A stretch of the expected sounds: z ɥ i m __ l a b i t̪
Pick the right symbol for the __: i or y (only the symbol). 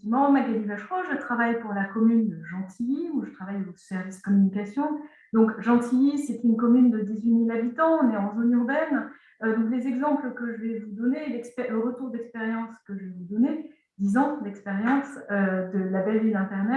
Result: i